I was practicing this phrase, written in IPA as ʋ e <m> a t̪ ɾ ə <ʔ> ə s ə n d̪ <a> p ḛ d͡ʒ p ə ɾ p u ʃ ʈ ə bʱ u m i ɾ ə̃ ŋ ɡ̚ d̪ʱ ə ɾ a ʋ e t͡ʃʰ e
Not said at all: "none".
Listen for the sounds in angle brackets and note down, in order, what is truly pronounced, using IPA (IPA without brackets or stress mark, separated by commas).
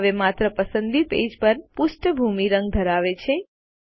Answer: m, p, i